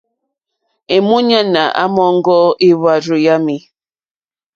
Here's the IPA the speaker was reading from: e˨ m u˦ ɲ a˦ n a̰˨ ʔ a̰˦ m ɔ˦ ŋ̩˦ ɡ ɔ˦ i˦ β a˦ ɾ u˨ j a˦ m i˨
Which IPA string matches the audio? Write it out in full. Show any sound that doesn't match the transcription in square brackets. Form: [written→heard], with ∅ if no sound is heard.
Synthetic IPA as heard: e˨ m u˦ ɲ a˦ n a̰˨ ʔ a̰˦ m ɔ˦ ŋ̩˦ ɡ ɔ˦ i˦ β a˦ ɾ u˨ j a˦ m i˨